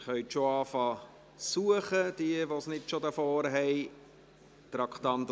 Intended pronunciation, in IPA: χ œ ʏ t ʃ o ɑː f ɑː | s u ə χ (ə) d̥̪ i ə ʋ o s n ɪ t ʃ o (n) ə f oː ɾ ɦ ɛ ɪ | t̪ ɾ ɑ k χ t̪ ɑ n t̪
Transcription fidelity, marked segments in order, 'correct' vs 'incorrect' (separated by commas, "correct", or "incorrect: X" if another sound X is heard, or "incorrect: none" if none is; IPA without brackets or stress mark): correct, incorrect: d